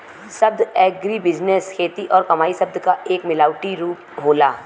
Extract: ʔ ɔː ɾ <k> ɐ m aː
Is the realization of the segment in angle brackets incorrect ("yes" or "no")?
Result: no